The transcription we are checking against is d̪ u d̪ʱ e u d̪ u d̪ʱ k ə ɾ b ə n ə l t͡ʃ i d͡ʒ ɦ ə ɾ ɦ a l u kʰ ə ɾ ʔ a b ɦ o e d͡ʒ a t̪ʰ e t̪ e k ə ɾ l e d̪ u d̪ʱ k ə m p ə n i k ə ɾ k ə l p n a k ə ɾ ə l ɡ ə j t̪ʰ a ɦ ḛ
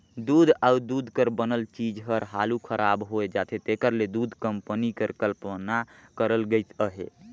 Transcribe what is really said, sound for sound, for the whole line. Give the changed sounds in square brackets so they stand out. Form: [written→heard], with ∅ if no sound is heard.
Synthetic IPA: d̪ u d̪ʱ [e→a] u d̪ u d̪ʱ k ə ɾ b ə n ə l t͡ʃ i d͡ʒ ɦ ə ɾ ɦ a l u kʰ ə ɾ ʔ a b ɦ o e d͡ʒ a t̪ʰ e t̪ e k ə ɾ l e d̪ u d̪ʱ k ə m p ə n i k ə ɾ k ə l p n a k ə ɾ ə l ɡ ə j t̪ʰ [a→ə] ɦ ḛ